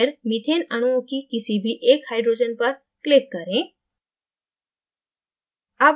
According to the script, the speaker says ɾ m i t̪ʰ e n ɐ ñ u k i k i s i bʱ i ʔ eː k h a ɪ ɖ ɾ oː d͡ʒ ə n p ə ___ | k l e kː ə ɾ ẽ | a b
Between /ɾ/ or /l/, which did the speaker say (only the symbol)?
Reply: ɾ